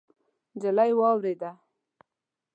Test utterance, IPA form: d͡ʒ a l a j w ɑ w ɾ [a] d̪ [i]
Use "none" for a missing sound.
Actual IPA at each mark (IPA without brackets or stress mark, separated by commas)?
e, a